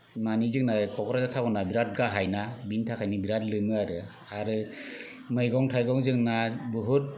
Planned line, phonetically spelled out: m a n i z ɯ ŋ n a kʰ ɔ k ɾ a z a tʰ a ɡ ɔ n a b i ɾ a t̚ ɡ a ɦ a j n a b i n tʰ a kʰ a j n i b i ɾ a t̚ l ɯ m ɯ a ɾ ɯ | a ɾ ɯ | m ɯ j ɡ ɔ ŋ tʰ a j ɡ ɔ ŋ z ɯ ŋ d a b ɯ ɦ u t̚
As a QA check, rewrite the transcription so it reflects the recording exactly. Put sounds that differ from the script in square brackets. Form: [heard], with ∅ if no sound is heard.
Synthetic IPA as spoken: m a n i z ɯ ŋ n a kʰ ɔ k ɾ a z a tʰ a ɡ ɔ n a b i ɾ a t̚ ɡ a ɦ a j n a b i n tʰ a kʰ a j n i b i ɾ a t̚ l ɯ m ɯ a ɾ ɯ | a ɾ ɯ | m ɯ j ɡ ɔ ŋ tʰ a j ɡ ɔ ŋ z ɯ ŋ [n] a b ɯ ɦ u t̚